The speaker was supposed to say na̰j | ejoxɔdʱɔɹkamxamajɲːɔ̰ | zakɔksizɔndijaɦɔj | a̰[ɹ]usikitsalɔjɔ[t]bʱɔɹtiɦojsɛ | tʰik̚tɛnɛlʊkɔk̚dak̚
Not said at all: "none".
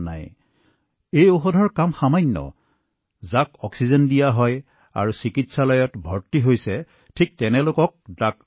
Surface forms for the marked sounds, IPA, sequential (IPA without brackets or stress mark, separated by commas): ɹ, t